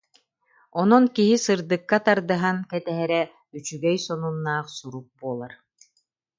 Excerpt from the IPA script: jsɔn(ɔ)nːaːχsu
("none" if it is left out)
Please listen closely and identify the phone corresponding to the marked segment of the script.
u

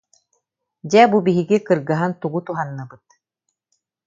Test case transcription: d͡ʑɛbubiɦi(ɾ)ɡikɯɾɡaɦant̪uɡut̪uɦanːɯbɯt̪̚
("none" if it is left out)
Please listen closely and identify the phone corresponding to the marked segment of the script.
none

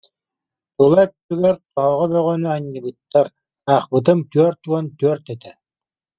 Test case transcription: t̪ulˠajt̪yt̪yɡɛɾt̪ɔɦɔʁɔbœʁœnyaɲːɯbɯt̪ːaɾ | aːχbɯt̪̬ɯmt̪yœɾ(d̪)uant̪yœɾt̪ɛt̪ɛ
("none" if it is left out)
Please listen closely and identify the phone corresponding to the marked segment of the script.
t̪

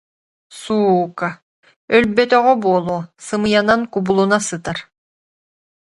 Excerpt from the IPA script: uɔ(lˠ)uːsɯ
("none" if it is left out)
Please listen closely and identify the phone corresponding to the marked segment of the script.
lˠ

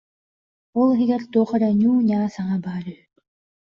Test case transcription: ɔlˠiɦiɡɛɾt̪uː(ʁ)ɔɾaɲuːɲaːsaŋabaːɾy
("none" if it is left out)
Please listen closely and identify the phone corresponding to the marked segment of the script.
χ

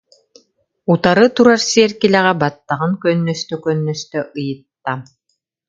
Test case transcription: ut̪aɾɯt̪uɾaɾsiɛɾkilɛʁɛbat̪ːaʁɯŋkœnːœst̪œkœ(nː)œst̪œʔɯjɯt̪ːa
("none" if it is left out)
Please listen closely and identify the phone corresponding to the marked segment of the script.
nː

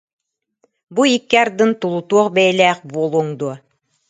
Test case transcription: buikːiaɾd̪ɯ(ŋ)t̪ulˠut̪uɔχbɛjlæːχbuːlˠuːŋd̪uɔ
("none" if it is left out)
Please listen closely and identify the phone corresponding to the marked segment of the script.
n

